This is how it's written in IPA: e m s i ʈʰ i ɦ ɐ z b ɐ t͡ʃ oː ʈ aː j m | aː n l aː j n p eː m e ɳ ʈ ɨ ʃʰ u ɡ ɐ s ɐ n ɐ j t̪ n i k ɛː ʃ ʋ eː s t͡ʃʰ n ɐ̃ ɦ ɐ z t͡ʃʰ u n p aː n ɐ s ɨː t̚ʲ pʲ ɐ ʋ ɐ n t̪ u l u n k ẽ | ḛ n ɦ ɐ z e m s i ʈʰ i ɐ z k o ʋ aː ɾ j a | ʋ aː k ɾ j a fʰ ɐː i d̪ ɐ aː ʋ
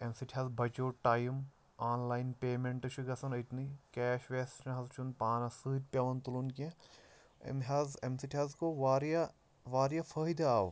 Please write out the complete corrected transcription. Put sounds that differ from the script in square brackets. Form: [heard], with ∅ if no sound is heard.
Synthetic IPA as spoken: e m s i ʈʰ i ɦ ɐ z b ɐ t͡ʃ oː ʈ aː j m | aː n l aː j n p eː m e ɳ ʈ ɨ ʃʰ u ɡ ɐ s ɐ n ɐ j t̪ n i k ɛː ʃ ʋ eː s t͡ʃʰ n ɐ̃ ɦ ɐ z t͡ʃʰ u n p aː n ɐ s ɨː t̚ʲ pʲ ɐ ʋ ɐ n t̪ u l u n k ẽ | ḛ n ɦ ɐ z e m s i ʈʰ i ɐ z k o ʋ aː ɾ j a | ʋ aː [∅] ɾ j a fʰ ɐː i d̪ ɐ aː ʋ